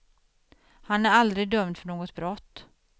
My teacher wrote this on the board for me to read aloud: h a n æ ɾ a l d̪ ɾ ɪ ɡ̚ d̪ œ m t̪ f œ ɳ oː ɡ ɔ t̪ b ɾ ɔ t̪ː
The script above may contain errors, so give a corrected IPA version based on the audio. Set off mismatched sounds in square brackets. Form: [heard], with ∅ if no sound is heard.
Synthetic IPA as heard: h a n æ ɾ a l d̪ ɾ ɪ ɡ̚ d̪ œ m [d̪] f œ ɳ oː ɡ ɔ t̪ b ɾ ɔ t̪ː